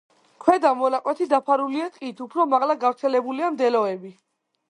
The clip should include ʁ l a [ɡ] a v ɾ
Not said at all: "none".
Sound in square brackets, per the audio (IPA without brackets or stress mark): ɡ